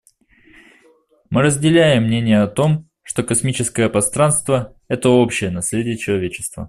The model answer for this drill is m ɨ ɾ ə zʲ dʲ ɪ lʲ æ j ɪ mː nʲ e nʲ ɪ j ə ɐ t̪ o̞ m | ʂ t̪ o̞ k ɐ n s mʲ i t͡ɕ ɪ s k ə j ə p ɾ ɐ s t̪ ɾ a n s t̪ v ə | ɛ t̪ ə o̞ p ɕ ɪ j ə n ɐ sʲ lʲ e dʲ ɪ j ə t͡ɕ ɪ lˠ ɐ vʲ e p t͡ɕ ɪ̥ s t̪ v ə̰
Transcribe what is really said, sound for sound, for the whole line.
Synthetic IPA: m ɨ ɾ ə zʲ dʲ ɪ lʲ æ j ɪ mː nʲ e nʲ ɪ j ə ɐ t̪ o̞ m | ʂ t̪ o̞ k ɐ s mʲ i t͡ɕ ɪ s k ə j ə p ɾ ɐ s t̪ ɾ a n s t̪ v ə | ɛ t̪ ə o̞ p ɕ ɪ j ə n ɐ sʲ lʲ e dʲ ɪ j ə t͡ɕ ɪ lˠ ɐ vʲ e t͡ɕ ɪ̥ s t̪ v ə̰